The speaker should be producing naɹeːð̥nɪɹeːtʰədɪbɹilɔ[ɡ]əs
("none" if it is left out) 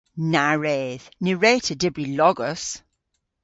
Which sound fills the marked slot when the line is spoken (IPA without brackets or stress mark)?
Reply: ɡ